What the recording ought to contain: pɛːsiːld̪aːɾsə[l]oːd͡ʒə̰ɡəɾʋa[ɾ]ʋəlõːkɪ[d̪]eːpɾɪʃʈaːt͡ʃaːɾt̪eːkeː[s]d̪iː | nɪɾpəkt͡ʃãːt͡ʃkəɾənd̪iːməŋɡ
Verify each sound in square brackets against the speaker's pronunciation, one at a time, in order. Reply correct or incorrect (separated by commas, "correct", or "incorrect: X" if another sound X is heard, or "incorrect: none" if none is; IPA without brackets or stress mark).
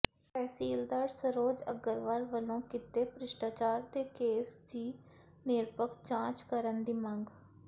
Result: incorrect: ɾ, correct, incorrect: t̪, correct